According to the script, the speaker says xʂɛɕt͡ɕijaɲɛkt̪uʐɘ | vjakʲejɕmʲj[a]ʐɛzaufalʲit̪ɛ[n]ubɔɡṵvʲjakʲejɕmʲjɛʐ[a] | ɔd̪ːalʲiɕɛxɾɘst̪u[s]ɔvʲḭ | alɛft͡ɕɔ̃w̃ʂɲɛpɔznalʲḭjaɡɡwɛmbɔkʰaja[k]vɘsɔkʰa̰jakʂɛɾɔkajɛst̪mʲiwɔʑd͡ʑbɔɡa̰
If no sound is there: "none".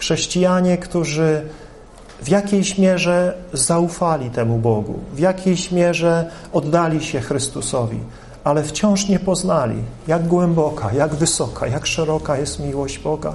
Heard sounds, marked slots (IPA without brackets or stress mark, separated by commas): ɛ, m, ɛ, s, ɡ